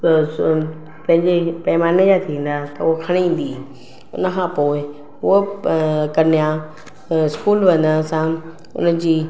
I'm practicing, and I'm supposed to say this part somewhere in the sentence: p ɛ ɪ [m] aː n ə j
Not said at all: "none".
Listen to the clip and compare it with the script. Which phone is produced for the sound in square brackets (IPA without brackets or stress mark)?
m